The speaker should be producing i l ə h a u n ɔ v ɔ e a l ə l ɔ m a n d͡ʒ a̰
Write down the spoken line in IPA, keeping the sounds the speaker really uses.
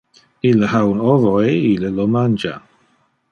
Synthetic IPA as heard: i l ə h a w n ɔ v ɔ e i l ə l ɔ m a n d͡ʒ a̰